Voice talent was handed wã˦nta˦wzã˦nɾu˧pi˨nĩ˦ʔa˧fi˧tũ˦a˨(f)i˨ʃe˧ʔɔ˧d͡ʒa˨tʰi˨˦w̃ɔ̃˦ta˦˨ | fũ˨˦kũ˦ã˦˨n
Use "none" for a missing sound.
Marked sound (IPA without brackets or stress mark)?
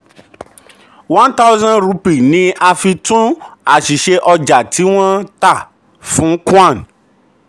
ʃ